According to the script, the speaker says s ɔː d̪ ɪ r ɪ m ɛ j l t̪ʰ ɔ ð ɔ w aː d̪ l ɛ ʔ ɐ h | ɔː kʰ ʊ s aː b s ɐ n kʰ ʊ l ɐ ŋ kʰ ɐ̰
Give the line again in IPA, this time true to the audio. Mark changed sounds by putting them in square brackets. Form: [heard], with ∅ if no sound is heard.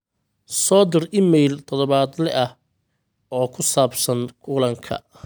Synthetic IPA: s ɔː d̪ ɪ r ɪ m ɛ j l t̪ʰ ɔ ð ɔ [β] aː d̪ l ɛ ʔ ɐ h | ɔː kʰ ʊ s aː b s ɐ n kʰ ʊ l ɐ ŋ kʰ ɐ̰